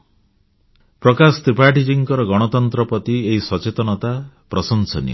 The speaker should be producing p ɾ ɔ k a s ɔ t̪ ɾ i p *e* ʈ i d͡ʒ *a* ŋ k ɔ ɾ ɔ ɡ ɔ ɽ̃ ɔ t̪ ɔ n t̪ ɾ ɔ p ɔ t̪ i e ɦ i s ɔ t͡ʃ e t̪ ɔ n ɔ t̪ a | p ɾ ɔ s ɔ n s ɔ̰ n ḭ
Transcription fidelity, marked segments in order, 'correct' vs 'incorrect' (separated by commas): incorrect, incorrect